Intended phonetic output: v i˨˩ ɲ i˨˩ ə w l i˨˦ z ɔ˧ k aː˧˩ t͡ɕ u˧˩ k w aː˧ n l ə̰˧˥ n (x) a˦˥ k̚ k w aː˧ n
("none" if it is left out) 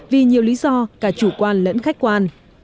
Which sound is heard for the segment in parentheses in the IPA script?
x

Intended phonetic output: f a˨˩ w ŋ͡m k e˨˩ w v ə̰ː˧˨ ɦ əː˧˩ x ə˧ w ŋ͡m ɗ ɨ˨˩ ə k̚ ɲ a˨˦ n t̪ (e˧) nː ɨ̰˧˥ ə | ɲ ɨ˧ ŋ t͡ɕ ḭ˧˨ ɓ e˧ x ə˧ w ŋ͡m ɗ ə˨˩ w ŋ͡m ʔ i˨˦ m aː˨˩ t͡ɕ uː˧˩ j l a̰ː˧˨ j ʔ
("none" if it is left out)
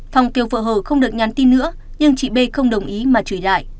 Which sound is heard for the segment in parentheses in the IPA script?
i˧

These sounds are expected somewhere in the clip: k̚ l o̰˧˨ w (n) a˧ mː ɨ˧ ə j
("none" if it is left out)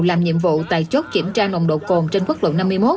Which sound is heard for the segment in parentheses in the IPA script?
n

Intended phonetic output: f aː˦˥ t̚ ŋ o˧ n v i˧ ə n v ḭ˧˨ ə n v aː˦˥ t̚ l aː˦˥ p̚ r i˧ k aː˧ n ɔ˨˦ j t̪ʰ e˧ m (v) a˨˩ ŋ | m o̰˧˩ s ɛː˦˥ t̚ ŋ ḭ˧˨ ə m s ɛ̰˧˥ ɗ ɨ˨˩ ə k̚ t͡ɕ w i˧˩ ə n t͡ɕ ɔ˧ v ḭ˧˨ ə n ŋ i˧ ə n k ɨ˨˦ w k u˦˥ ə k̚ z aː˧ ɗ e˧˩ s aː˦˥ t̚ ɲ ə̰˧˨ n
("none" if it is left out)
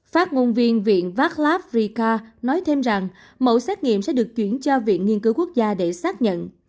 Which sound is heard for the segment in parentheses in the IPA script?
z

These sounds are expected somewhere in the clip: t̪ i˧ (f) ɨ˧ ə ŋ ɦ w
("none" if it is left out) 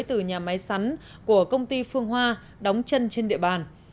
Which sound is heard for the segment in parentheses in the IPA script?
f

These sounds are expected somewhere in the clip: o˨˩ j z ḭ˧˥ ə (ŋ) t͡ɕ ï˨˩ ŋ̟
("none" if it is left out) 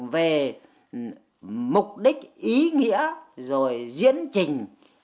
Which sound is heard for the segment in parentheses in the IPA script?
n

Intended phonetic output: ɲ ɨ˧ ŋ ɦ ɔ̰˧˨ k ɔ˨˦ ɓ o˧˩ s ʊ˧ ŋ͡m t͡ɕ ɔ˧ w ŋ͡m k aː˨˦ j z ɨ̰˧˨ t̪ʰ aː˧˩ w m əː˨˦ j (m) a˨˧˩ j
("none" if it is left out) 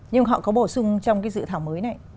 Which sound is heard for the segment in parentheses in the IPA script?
n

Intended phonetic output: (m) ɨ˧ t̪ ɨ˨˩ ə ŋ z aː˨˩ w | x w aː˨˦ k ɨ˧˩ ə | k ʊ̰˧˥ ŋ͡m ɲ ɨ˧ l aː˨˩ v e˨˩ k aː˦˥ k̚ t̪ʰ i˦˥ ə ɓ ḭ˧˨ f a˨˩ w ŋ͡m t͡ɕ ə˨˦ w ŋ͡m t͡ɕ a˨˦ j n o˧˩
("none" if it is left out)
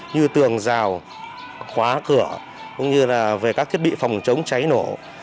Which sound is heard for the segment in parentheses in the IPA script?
ɲ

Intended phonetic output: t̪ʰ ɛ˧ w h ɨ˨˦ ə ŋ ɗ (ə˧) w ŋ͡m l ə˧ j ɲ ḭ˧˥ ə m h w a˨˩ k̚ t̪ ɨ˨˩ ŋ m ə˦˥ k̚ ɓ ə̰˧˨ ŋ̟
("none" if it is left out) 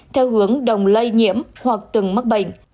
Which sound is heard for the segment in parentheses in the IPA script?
ə˨˩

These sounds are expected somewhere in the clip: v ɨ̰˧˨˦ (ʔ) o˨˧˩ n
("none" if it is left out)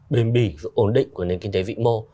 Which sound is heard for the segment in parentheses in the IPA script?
ʔ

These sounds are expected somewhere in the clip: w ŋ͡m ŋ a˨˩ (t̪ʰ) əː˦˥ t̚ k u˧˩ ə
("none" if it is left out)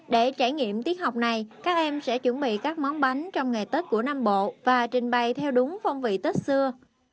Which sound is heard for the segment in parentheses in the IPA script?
t̪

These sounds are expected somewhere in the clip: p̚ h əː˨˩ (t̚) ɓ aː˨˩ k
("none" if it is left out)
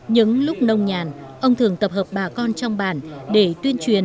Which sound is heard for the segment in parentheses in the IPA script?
p̚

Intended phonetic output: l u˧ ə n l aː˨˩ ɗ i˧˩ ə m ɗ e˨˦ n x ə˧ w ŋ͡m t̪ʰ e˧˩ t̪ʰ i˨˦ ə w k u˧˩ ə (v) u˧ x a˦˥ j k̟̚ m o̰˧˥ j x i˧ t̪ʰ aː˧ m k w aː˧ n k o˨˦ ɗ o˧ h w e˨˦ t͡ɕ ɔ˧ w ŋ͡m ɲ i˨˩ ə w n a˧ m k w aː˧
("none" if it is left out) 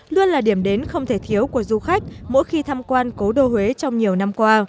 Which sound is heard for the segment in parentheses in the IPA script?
z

